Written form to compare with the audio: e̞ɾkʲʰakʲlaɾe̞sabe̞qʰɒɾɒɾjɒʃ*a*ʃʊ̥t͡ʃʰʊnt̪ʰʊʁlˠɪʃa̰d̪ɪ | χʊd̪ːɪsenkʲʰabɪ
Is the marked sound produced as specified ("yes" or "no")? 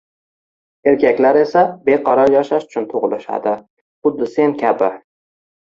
yes